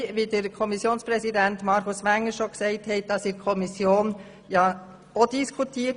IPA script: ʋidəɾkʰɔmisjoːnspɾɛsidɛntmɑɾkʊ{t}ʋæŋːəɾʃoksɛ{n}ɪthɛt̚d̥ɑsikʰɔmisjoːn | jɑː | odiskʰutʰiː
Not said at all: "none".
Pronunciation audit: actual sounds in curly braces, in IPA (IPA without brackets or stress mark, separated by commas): s, none